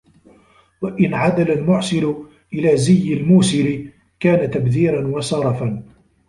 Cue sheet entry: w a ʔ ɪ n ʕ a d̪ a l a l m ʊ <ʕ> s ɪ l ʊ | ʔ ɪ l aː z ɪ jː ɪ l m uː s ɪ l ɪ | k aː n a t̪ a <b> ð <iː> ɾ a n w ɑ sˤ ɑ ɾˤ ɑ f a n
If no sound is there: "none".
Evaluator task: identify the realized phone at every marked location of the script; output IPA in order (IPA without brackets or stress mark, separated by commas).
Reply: ʕ, b, iː